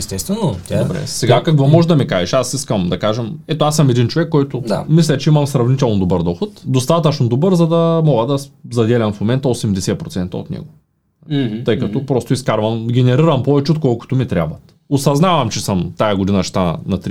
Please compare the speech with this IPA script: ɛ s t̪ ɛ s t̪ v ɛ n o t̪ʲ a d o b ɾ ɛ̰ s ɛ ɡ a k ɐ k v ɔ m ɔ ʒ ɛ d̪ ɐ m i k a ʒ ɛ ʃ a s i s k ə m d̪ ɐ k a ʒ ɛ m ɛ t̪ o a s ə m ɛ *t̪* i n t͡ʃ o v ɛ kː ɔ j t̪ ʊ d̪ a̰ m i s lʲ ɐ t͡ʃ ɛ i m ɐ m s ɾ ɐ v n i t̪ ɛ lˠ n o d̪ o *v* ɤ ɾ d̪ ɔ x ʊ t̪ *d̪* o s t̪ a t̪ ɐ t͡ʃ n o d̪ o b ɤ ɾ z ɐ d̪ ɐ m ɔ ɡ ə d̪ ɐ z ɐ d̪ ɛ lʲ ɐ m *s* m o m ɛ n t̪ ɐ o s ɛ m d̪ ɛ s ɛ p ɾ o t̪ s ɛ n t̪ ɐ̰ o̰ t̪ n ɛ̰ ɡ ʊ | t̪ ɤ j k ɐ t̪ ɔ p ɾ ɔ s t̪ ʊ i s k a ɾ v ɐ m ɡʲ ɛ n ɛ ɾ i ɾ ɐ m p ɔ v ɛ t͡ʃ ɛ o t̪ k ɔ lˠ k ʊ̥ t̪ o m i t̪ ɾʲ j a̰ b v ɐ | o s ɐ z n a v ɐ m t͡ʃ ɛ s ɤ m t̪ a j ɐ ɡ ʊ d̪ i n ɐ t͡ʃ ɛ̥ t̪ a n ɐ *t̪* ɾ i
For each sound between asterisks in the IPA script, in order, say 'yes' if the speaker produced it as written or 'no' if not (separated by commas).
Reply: no, no, yes, no, yes